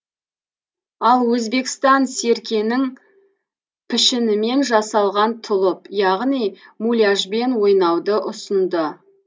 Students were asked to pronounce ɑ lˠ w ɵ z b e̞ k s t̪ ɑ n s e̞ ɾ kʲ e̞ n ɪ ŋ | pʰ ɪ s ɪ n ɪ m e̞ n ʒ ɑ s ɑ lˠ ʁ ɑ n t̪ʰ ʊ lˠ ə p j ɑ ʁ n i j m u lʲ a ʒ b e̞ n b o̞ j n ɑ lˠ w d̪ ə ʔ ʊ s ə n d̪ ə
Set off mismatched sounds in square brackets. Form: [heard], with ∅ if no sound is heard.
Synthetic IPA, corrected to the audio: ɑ lˠ w ɵ z b e̞ k s t̪ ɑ n s e̞ ɾ kʲ e̞ n ɪ ŋ | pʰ ɪ [ʃ] ɪ n ɪ m e̞ n ʒ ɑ s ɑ lˠ ʁ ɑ n t̪ʰ ʊ lˠ ə p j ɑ ʁ n i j m u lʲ a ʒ b e̞ n [w] o̞ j n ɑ [∅] w d̪ ə ʔ ʊ s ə n d̪ ə